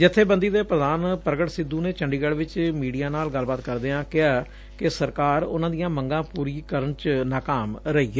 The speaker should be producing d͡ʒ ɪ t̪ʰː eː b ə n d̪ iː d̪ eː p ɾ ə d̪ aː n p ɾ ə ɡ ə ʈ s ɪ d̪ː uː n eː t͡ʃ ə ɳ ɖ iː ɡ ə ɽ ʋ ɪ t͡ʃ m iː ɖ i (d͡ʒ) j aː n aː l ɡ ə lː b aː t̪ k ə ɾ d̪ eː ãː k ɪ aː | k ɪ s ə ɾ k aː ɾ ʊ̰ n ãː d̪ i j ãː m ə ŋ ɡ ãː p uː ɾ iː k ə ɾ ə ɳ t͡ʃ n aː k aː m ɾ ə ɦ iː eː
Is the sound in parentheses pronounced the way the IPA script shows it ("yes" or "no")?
no